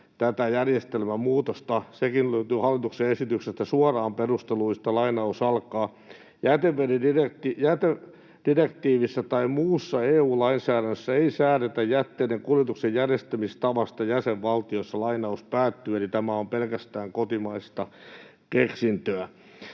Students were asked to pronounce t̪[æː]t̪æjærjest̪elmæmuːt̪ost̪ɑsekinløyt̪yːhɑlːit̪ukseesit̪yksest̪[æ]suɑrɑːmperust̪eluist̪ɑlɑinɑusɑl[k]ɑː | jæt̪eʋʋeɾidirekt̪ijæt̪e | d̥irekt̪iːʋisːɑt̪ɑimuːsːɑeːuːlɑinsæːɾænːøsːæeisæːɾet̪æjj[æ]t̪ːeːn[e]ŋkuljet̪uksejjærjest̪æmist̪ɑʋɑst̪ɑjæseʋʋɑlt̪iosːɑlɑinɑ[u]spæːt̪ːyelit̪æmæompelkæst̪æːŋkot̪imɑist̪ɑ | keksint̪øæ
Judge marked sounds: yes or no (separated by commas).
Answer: no, yes, yes, yes, yes, yes